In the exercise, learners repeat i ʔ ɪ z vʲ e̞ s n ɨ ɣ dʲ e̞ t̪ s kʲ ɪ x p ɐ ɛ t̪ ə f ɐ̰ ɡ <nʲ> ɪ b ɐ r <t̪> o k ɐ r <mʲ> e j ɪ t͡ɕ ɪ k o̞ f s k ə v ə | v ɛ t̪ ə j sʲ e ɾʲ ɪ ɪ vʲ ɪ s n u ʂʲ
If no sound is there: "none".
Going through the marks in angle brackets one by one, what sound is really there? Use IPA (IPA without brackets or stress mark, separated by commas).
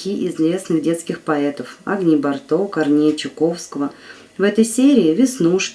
nʲ, t̪, nʲ